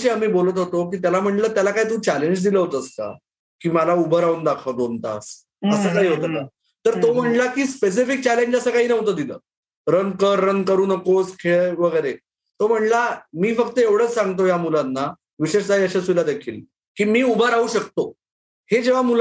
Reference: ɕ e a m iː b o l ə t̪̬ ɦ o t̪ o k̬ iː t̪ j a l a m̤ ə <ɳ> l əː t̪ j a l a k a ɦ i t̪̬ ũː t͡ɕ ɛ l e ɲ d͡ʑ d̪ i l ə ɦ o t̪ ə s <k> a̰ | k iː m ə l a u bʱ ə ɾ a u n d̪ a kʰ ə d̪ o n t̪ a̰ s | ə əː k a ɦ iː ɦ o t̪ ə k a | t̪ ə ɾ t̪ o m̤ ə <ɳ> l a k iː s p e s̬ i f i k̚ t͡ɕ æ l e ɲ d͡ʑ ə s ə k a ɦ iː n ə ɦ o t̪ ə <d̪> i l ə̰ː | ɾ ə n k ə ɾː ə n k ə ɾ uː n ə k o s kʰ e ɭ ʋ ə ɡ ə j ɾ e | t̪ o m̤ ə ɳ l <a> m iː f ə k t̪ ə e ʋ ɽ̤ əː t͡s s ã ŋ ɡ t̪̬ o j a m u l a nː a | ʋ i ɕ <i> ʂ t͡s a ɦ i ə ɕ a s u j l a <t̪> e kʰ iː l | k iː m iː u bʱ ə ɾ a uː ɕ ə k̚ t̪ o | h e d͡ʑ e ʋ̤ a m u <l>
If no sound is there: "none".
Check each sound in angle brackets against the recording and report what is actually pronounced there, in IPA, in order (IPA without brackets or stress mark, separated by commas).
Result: ɳ, k, ɳ, d̪, a, e, d̪, l